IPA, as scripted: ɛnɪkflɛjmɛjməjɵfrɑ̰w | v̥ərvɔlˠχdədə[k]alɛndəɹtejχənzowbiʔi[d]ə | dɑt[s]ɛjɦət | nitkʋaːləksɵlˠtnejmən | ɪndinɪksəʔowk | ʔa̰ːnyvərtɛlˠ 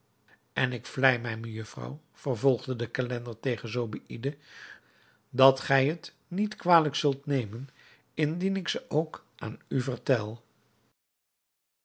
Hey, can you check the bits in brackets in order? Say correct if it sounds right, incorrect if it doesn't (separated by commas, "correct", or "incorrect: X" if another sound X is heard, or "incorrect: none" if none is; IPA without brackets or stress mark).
correct, correct, incorrect: χ